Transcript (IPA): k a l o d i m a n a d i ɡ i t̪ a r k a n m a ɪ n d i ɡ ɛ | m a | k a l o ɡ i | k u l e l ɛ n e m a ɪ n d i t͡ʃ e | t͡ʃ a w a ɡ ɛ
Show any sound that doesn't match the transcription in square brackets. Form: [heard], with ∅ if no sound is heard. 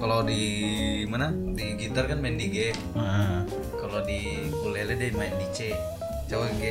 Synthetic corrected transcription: k a l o d i m a n a d i ɡ i t̪ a r k a n m a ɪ n d i ɡ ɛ | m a | k a l o [d] i | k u l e l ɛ [d] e m a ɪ n d i t͡ʃ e | t͡ʃ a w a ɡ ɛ